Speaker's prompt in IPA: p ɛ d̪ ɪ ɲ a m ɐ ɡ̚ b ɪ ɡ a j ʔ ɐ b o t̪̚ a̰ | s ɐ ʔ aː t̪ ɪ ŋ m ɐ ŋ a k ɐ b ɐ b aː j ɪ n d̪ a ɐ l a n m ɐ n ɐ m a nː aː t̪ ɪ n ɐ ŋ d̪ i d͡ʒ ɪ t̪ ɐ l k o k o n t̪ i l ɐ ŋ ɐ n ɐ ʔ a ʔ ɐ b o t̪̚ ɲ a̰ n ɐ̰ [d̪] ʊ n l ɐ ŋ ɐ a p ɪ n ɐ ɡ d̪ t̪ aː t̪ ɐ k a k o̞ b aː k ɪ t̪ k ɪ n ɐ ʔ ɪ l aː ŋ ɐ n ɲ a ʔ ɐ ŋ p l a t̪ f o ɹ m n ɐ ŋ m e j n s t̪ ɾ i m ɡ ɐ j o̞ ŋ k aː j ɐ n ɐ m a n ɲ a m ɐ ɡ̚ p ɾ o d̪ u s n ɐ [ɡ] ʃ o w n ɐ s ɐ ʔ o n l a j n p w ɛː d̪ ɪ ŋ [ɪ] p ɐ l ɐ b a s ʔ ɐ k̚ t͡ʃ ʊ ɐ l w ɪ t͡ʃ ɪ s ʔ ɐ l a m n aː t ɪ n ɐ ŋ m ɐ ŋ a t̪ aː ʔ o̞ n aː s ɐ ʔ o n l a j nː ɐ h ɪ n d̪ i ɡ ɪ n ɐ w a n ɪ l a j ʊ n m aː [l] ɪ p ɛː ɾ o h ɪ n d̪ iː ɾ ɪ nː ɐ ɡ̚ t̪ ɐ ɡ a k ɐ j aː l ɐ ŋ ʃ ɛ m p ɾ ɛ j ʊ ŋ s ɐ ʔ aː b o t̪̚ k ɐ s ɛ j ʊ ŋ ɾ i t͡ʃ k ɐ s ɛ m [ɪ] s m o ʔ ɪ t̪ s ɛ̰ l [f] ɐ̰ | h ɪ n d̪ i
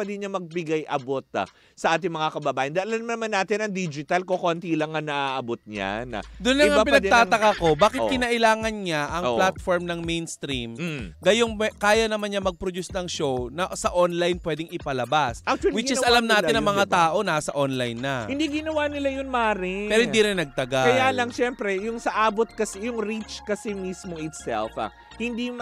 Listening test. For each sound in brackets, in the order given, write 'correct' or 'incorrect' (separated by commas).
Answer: correct, incorrect, correct, incorrect, incorrect, correct